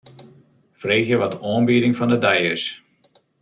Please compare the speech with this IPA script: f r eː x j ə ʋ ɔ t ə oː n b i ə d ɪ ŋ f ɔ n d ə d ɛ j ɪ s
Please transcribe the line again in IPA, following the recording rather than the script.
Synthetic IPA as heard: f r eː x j ə ʋ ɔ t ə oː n b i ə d ɪ ŋ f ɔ n d ə d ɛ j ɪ s